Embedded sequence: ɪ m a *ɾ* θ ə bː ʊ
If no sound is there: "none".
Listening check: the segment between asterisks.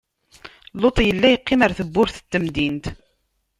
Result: ɾ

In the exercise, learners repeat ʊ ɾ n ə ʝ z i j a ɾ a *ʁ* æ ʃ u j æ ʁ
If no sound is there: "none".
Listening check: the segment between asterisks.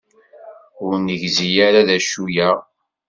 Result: ð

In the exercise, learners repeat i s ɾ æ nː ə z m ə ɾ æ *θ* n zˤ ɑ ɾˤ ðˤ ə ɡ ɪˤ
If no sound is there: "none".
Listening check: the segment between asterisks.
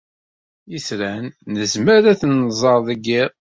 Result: θ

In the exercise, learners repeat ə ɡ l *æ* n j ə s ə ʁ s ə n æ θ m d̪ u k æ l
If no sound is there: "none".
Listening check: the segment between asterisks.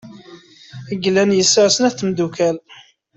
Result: æ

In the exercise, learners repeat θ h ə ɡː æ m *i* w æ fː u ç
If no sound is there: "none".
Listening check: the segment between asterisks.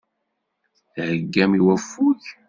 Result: i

